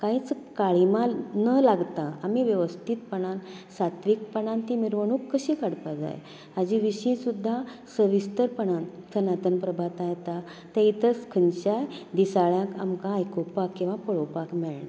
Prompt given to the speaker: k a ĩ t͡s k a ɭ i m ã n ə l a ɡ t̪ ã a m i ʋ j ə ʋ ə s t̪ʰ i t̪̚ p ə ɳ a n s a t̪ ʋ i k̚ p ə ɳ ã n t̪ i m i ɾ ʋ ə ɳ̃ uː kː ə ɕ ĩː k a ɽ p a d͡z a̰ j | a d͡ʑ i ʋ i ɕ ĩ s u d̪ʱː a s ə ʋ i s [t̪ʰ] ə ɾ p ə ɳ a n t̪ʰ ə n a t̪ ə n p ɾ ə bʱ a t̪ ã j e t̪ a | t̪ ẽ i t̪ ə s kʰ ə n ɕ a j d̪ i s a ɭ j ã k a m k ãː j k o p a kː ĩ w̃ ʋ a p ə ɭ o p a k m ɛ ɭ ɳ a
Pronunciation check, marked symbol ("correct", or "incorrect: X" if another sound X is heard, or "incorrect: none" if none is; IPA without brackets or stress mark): incorrect: t̪